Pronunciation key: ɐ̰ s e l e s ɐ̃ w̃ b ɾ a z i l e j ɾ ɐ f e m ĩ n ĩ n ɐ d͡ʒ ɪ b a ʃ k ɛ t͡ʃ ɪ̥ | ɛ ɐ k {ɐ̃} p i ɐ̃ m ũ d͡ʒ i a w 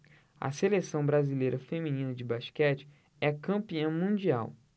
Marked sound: correct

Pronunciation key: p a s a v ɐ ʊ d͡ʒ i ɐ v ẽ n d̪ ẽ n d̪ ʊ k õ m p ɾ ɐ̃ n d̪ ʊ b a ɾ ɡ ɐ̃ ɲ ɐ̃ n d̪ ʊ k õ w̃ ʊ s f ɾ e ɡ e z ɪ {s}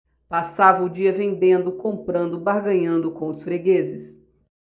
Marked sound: correct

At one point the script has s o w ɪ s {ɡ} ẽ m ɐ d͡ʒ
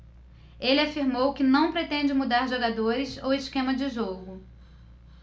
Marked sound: incorrect: k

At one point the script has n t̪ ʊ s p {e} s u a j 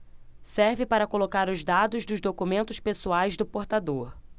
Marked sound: correct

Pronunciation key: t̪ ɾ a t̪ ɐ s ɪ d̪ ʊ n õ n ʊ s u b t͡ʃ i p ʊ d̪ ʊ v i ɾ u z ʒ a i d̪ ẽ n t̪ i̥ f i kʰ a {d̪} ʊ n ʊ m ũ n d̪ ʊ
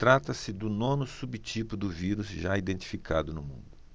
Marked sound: correct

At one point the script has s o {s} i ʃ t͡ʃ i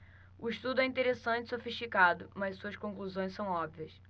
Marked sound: incorrect: f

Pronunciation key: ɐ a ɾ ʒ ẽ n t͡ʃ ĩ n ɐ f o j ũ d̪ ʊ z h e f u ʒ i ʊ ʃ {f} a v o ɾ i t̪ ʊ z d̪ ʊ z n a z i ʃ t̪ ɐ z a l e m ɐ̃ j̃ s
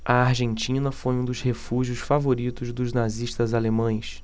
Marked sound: correct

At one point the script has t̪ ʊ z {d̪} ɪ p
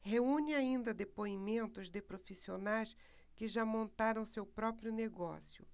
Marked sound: correct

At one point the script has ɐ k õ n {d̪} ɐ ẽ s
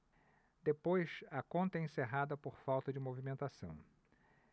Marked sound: incorrect: t̪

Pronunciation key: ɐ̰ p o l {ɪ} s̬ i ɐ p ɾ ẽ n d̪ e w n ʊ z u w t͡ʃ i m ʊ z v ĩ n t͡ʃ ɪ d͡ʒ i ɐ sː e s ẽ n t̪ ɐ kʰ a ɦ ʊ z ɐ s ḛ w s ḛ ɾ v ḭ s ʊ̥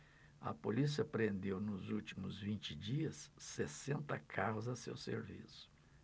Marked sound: incorrect: i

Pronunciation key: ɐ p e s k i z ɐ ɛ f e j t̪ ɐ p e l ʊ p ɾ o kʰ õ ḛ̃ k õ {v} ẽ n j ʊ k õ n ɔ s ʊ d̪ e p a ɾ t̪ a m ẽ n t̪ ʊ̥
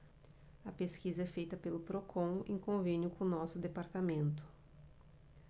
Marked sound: correct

